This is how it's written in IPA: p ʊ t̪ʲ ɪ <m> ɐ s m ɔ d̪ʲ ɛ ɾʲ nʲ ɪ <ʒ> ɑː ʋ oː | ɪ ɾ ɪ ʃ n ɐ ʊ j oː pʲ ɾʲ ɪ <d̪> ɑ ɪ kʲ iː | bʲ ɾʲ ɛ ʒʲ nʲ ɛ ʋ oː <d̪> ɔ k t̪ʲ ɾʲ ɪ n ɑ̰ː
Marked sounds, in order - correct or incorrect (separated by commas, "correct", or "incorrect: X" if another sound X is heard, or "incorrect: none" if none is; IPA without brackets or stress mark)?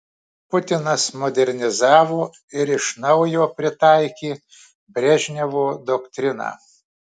incorrect: n, incorrect: z, incorrect: t̪, correct